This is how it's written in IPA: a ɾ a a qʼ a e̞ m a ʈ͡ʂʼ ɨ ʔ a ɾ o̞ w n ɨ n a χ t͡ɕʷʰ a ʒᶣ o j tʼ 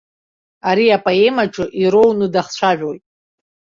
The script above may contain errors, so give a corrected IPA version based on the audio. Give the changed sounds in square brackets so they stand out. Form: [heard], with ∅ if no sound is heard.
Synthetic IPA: a ɾ [i] a [pʼ] a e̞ m a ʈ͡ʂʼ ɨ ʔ [i] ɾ o̞ w n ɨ [d] a χ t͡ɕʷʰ a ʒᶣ o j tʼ